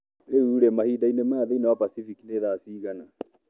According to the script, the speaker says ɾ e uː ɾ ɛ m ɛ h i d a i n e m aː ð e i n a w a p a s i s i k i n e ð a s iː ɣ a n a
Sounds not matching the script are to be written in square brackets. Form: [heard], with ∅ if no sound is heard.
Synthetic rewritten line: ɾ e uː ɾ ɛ m [a] h i d a i n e m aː ð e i n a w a p a s i [f] i k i n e ð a s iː ɣ a n a